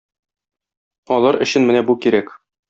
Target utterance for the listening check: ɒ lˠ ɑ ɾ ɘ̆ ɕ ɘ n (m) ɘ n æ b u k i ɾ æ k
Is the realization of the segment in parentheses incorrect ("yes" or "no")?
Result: no